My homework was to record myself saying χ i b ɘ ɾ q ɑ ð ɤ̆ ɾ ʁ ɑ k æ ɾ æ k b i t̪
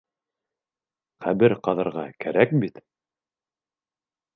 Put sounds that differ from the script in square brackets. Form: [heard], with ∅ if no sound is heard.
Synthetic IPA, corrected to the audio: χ [æ] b ɘ ɾ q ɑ ð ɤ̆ ɾ ʁ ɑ k æ ɾ æ k b i t̪